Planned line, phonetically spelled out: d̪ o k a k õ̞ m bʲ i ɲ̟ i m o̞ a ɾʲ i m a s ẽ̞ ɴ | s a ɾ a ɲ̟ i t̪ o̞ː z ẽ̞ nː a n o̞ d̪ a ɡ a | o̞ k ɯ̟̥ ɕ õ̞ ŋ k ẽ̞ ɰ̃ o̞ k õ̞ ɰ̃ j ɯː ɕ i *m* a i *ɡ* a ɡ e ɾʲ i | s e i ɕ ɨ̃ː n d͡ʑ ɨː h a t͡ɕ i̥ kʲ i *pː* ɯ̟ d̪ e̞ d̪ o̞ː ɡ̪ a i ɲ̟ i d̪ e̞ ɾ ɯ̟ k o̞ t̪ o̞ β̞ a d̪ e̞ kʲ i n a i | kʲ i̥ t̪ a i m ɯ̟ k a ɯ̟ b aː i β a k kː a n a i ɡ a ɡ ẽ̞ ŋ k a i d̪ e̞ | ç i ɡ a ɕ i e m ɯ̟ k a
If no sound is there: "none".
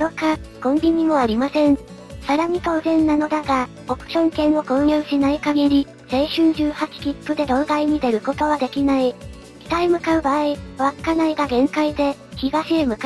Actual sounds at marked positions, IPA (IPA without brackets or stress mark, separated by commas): n, k, pː